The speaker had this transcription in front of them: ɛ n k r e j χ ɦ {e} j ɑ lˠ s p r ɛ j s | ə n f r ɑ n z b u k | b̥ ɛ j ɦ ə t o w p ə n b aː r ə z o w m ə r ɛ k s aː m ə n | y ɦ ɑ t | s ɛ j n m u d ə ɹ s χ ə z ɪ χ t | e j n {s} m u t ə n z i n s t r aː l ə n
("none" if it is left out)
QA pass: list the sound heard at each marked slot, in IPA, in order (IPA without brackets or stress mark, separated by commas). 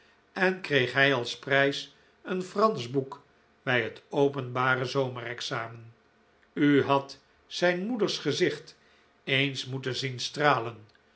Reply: ɛ, s